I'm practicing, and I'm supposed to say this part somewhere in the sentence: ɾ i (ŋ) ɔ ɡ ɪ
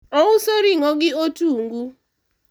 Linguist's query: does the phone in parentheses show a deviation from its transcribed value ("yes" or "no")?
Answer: no